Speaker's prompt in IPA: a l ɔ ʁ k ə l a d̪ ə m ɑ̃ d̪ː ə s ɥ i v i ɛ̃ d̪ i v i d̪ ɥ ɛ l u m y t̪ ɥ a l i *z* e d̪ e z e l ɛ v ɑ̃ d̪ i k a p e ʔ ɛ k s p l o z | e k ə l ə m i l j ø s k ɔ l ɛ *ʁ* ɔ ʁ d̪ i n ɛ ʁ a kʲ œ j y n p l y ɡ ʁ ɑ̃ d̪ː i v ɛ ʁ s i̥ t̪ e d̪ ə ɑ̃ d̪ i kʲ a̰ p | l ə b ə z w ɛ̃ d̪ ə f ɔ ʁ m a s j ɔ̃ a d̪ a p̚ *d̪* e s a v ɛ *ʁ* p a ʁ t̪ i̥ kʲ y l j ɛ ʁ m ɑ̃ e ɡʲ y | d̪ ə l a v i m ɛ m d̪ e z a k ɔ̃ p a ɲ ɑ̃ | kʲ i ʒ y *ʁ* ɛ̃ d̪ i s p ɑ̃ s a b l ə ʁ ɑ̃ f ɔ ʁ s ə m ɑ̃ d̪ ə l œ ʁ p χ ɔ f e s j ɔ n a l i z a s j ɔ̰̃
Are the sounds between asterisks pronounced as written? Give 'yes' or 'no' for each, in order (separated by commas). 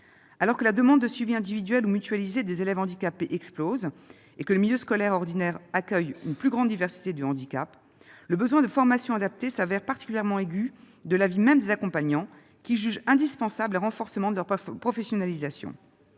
yes, yes, no, yes, no